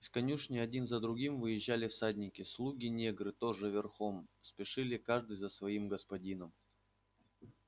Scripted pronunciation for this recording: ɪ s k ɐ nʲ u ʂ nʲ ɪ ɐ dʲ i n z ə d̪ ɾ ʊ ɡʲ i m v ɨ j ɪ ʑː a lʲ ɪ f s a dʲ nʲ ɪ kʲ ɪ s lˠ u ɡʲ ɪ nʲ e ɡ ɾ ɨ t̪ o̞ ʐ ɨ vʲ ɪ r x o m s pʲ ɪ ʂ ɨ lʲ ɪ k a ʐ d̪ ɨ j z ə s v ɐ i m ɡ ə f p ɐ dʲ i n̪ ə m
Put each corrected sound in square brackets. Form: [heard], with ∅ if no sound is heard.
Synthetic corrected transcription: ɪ s k ɐ nʲ u ʂ nʲ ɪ ɐ dʲ i n z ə d̪ ɾ ʊ ɡʲ i m v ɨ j ɪ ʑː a lʲ ɪ f s a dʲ nʲ ɪ kʲ ɪ s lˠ u ɡʲ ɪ nʲ e ɡ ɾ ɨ t̪ o̞ ʐ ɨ vʲ ɪ r x o m s pʲ ɪ ʂ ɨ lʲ ɪ k a ʐ d̪ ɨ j z ə s v ɐ i m ɡ ə [s] p ɐ dʲ i n̪ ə m